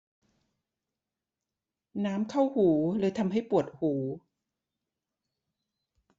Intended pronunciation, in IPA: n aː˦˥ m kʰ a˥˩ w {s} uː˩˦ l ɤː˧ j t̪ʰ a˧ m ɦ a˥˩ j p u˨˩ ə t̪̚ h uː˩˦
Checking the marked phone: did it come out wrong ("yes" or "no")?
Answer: yes